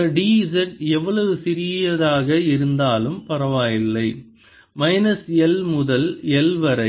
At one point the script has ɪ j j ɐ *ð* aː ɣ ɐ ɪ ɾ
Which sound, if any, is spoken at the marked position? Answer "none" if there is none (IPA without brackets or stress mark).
ð